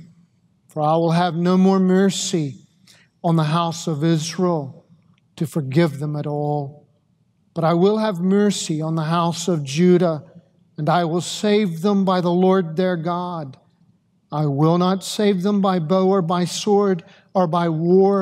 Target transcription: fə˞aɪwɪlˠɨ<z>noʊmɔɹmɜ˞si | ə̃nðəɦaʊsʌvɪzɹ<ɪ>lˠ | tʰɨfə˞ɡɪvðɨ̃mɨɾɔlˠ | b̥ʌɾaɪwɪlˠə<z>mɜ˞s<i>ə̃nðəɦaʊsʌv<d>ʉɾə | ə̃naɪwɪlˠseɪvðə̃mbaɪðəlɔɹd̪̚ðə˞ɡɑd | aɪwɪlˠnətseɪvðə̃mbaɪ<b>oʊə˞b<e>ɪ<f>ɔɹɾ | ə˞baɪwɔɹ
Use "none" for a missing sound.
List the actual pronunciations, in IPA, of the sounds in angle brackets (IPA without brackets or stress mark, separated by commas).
v, i, v, i, d͡ʒ, b, a, s